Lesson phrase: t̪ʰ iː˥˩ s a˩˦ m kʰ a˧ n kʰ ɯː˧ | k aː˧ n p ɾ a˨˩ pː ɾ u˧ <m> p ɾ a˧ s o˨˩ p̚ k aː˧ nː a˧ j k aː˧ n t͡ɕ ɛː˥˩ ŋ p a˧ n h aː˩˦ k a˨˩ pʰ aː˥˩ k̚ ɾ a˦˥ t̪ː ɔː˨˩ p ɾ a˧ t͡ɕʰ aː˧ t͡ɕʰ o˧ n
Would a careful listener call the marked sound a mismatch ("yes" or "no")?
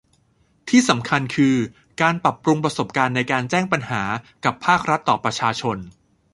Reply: yes